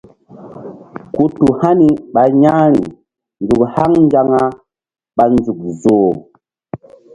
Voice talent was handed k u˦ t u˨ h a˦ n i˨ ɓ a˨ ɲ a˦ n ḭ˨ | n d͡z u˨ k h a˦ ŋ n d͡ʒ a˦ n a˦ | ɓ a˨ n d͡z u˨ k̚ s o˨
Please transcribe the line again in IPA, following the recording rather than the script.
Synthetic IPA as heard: k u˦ t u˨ h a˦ n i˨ ɓ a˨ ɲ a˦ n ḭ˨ | n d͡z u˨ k h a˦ ŋ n d͡ʒ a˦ ŋ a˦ | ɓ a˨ n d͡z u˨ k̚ z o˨